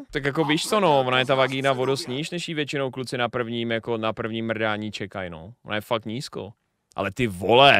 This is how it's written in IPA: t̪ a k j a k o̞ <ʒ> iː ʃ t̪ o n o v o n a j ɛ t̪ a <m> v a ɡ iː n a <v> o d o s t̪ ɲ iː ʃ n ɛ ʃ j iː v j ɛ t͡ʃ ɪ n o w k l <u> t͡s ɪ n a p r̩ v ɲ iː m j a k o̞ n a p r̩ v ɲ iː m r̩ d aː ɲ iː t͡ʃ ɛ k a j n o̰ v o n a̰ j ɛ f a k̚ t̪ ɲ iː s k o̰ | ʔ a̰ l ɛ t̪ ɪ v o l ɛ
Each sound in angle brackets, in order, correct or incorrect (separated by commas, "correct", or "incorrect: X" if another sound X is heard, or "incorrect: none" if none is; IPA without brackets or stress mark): incorrect: v, incorrect: none, correct, correct